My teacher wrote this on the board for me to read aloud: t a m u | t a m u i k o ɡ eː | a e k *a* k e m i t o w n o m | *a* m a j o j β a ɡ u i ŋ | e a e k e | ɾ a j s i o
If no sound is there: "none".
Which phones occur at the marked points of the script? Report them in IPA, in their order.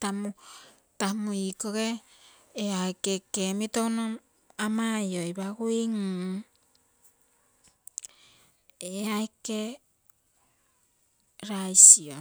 e, a

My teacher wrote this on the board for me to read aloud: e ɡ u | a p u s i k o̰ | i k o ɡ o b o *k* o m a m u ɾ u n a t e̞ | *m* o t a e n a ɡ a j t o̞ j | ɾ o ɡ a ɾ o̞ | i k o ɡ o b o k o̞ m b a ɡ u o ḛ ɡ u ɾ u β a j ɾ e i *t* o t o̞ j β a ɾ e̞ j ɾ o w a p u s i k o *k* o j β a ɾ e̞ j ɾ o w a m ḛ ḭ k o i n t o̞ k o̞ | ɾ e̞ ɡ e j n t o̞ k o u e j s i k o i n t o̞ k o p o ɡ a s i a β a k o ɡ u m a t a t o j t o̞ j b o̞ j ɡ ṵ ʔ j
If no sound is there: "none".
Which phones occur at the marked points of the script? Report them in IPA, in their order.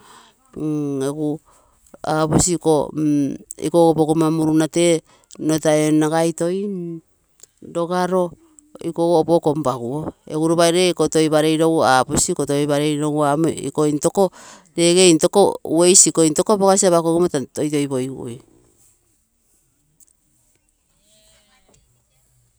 k, n, k, t

